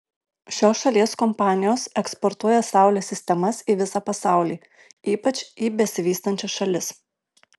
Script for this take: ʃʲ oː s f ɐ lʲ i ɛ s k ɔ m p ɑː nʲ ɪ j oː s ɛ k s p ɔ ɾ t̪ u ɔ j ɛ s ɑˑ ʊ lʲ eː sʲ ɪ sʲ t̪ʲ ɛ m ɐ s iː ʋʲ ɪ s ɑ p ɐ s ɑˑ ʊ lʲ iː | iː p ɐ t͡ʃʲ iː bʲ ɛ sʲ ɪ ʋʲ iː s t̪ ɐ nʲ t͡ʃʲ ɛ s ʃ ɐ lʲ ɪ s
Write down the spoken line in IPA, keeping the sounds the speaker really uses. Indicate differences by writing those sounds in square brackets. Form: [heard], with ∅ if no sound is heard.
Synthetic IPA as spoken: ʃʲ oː s [ʃ] ɐ lʲ i ɛ s k ɔ m p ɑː nʲ ɪ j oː s ɛ k s p ɔ ɾ t̪ u ɔ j ɛ s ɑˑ ʊ lʲ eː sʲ ɪ sʲ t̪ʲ ɛ m ɐ s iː ʋʲ ɪ s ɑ p ɐ s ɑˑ ʊ lʲ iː | iː p ɐ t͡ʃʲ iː bʲ ɛ sʲ ɪ ʋʲ iː s t̪ ɐ nʲ t͡ʃʲ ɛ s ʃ ɐ lʲ ɪ s